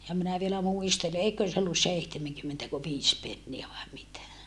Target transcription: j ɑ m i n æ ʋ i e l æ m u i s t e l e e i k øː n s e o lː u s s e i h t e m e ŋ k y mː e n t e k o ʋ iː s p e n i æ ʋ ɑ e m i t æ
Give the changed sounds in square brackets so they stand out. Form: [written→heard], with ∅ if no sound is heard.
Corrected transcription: j ɑ m i n æ ʋ i e l æ m u i s t e l e e i k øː n s e o lː u s s e i h t e m e ŋ k y mː e n t [e→æ] k o ʋ iː s p e [n→nː] i æ ʋ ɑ e m i t æ